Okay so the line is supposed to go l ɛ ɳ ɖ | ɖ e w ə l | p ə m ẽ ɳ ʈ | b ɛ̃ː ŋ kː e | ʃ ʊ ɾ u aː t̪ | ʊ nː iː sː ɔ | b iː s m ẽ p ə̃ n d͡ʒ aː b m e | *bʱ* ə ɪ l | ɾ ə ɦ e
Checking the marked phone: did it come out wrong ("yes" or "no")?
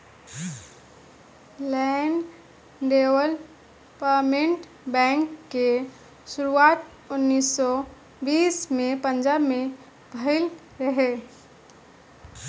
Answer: no